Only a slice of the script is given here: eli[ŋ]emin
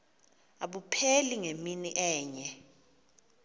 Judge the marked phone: correct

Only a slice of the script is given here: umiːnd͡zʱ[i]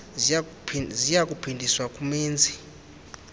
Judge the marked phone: correct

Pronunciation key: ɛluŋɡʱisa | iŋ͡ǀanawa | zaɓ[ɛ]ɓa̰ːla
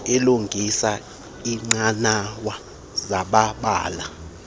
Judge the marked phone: incorrect: a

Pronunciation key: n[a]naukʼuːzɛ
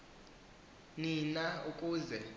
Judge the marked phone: incorrect: i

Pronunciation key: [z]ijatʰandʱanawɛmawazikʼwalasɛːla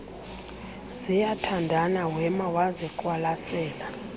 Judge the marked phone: correct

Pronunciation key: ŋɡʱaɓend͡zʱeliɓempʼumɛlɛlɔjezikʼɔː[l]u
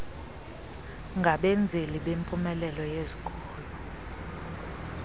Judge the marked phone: correct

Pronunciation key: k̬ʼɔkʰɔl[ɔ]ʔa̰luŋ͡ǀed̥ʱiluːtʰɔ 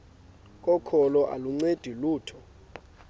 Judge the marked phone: correct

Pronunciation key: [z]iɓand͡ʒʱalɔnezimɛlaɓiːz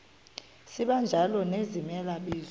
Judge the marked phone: incorrect: s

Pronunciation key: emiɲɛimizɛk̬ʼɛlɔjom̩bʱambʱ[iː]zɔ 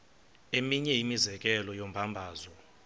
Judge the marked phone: incorrect: aː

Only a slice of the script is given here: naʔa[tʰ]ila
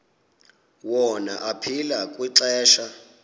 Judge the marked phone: incorrect: pʰ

